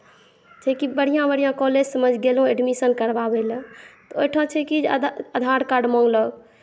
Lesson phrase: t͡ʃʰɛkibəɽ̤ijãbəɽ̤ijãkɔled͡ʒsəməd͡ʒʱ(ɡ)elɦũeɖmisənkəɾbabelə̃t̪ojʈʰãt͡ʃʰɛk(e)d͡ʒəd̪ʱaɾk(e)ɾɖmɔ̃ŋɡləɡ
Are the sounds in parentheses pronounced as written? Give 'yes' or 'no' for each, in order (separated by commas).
yes, no, no